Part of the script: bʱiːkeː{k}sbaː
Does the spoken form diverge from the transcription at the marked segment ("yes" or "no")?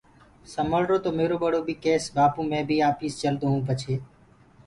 yes